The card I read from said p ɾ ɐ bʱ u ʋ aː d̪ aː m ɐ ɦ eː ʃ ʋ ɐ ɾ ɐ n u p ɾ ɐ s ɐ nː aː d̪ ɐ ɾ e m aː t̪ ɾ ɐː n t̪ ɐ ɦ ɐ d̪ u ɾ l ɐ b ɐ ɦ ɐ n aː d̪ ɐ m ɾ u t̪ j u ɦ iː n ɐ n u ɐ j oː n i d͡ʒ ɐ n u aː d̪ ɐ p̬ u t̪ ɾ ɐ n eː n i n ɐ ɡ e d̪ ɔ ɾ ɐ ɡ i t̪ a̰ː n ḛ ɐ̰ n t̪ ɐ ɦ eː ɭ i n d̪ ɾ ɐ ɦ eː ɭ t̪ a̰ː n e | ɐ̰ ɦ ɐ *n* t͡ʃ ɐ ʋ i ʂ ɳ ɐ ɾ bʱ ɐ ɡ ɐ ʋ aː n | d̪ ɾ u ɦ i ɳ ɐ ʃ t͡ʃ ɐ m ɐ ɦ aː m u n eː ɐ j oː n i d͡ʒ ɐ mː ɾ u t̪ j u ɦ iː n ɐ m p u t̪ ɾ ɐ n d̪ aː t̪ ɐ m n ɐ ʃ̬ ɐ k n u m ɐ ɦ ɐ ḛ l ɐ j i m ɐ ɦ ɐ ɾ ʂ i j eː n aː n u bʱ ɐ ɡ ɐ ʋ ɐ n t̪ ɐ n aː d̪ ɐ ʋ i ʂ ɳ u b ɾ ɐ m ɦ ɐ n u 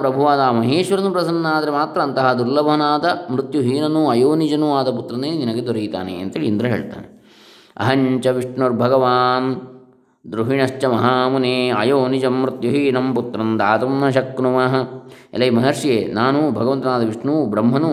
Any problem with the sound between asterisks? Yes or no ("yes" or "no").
yes